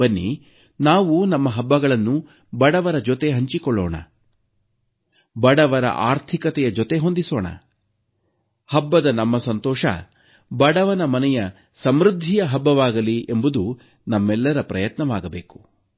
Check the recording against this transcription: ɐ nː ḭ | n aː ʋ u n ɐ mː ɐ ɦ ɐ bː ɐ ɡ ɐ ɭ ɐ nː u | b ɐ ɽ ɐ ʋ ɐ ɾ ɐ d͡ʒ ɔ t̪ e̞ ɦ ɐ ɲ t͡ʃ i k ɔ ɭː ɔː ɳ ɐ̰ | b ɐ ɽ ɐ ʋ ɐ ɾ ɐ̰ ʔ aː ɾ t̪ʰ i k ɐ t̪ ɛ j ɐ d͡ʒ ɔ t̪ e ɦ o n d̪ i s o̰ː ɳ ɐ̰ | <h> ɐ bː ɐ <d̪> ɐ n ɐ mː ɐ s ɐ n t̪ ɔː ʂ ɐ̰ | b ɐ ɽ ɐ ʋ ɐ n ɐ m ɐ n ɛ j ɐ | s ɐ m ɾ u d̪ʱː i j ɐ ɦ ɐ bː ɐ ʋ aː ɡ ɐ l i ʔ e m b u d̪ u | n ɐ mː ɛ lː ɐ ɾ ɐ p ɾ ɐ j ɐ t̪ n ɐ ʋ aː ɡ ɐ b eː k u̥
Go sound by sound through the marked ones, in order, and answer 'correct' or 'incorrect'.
correct, correct

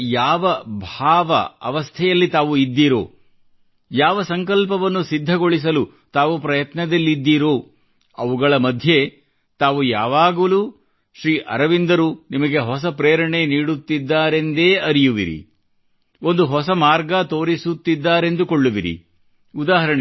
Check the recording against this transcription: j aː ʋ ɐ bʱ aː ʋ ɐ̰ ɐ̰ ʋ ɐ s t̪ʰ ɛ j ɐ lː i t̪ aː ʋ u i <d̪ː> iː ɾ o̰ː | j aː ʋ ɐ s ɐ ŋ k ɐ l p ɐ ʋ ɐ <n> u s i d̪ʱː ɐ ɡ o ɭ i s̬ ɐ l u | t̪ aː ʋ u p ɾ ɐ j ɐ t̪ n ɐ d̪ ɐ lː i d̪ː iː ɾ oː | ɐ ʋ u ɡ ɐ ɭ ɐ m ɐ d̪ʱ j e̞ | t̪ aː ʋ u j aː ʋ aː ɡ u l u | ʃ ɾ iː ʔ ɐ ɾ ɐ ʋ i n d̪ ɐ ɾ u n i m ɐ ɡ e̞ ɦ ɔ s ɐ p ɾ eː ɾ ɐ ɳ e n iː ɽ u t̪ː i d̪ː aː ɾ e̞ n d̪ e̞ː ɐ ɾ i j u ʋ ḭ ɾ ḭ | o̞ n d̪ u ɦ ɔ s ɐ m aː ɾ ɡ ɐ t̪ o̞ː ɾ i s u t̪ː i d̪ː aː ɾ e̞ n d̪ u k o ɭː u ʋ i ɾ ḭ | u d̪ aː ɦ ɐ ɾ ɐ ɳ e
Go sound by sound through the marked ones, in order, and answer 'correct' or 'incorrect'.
correct, incorrect: nː

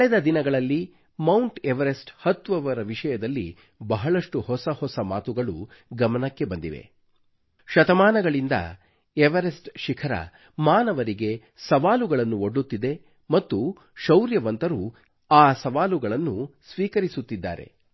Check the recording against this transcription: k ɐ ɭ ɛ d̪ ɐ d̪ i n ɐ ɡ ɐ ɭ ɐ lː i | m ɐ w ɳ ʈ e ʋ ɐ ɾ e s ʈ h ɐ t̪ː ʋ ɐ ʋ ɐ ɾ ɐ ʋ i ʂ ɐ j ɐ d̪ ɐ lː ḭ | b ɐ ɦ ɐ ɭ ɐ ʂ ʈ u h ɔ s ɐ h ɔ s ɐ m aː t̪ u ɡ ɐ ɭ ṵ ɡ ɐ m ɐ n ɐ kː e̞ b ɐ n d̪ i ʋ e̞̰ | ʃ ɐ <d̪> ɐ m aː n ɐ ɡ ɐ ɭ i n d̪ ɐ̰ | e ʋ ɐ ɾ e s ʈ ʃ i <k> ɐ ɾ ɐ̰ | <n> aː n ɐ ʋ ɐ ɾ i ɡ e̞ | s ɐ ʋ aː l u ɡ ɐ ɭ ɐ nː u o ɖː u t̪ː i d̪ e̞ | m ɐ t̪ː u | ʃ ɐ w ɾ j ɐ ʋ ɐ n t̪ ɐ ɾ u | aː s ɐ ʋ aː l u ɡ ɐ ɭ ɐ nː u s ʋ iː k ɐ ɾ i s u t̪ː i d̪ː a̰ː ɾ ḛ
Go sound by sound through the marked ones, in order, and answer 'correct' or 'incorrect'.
incorrect: t̪, incorrect: kʰ, incorrect: m

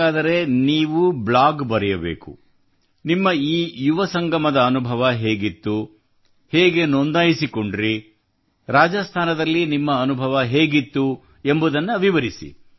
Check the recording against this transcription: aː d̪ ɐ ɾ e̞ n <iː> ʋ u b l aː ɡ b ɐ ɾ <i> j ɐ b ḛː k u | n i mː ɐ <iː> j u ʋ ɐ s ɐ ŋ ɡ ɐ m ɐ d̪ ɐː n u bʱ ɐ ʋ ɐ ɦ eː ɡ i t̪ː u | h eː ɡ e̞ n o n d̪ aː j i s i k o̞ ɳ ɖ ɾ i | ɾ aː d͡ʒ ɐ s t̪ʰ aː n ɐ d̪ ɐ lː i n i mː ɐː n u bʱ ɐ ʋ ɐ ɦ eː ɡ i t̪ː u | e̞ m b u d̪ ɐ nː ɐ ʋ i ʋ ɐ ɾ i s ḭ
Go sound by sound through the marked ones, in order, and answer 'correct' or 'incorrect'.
correct, incorrect: ɛ, correct

